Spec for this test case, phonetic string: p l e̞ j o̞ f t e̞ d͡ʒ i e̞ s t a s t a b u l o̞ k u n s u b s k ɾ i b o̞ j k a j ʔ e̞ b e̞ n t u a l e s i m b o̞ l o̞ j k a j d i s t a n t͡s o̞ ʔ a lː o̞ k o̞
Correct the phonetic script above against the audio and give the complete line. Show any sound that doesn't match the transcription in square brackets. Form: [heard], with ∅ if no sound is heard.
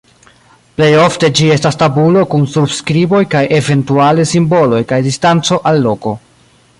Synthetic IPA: p l e̞ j o̞ f t e̞ d͡ʒ i e̞ s t a s t a b u l o̞ k u n s u b s k ɾ i b o̞ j k a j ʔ e̞ [v] e̞ n t u a l e s i m b o̞ l o̞ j k a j d i s t a n t͡s o̞ ʔ a lː o̞ k o̞

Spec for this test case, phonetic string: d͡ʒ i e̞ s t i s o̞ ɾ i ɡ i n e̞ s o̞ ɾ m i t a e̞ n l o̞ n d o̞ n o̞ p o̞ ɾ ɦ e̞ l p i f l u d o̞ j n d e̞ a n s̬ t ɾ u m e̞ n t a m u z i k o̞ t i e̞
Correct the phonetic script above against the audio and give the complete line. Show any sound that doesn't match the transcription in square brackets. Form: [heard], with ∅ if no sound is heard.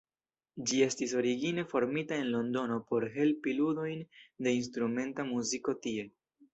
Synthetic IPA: d͡ʒ i e̞ s t i s o̞ ɾ i ɡ i n e̞ [f] o̞ ɾ m i t a e̞ n l o̞ n d o̞ n o̞ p o̞ ɾ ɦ e̞ l p i [∅] l u d o̞ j n d e̞ [i] n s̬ t ɾ u m e̞ n t a m u z i k o̞ t i e̞

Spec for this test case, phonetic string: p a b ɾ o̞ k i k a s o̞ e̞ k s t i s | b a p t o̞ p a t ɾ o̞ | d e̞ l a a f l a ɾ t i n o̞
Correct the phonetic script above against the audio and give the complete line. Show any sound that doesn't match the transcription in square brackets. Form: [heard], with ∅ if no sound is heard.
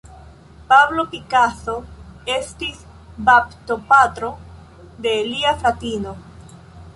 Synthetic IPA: p a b [l] o̞ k i k a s o̞ e̞ [∅] s t i s | b a p t o̞ p a t ɾ o̞ | d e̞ l [i] a f l a [∅] t i n o̞

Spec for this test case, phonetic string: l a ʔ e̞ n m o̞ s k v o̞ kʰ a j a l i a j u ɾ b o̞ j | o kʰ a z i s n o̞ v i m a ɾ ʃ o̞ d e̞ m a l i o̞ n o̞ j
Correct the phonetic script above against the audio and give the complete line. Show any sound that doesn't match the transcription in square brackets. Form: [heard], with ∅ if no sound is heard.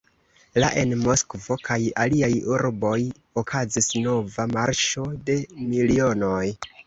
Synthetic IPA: l a ʔ e̞ n m o̞ s k v o̞ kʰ a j a l i a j u ɾ b o̞ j | o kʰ a z i s n o̞ v [a] m a ɾ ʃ o̞ d e̞ m [i] l i o̞ n o̞ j

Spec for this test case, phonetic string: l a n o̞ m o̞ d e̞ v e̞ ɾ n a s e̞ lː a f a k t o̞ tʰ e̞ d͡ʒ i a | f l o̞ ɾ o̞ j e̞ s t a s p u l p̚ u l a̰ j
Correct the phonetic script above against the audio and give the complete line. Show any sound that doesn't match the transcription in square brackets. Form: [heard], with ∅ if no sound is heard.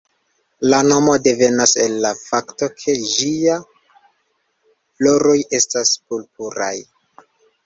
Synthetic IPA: l a n o̞ m o̞ d e̞ v e̞ [∅] n a s e̞ lː a f a k t o̞ [kʰ] e̞ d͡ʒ i a | f l o̞ ɾ o̞ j e̞ s t a s p u l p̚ u [ɾ] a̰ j

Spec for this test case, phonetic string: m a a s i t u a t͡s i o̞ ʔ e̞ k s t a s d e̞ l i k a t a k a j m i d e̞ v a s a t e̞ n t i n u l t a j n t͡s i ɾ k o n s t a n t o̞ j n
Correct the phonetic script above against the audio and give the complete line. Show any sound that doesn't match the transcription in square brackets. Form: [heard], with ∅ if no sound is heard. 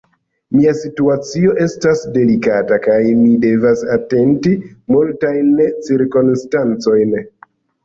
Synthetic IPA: m [i] a s i t u a t͡s i o̞ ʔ e̞ [∅] s t a s d e̞ l i k a t a k a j m i d e̞ v a s a t e̞ n t i [m] u l t a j n t͡s i ɾ k o n s t a n [t͡s] o̞ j n

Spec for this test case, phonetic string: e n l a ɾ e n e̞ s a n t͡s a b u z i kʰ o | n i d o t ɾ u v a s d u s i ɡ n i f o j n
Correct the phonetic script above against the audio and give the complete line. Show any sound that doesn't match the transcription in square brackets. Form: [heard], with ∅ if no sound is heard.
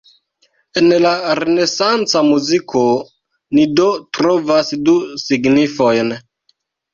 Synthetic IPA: e n l a ɾ e n e̞ s a n t͡s a [m] u z i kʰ o | n i d o t ɾ [o] v a s d u s i ɡ n i f o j n

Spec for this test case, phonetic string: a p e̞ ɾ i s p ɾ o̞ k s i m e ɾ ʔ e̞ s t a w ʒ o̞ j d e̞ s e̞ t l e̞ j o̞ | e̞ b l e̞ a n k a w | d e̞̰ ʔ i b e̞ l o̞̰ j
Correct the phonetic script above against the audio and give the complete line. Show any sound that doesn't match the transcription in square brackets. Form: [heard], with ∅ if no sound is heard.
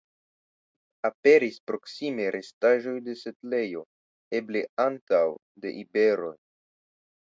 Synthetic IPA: a p e̞ ɾ i s p ɾ o̞ k s i m e ɾ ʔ e̞ s t a [∅] ʒ o̞ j d e̞ s e̞ t l e̞ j o̞ | e̞ b l e̞ a n [t] a w | d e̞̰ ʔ i b e̞ [ɾ] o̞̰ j

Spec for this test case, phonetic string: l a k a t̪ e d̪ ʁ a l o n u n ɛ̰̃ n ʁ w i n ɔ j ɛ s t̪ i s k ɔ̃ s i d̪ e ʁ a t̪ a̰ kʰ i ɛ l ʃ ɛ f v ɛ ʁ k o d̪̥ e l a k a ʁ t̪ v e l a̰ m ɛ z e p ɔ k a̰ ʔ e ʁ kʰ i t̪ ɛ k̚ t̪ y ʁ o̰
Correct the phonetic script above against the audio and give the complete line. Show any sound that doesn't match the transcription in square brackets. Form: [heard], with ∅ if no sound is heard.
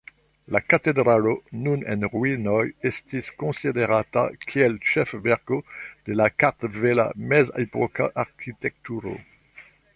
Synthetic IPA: l a k a t̪ e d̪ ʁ a l o n u n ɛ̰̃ n ʁ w i n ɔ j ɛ s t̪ i s k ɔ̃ s i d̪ e ʁ a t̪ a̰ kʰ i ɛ l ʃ ɛ f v ɛ ʁ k o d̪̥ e l a k a ʁ t̪ v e l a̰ m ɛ z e p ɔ k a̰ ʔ [a] ʁ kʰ i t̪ ɛ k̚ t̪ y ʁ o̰

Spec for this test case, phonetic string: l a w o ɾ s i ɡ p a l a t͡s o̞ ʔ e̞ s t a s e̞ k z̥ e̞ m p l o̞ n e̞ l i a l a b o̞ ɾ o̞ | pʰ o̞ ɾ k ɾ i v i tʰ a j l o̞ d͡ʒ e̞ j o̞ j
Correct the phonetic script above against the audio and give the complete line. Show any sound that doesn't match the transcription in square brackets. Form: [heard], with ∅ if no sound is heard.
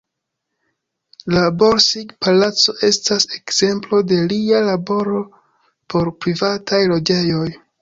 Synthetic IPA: l a [b] o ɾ s i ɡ p a l a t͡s o̞ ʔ e̞ s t a s e̞ k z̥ e̞ m p l o̞ [d] e̞ l i a l a b o̞ ɾ o̞ | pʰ o̞ ɾ [p] ɾ i v [a] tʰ a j l o̞ d͡ʒ e̞ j o̞ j

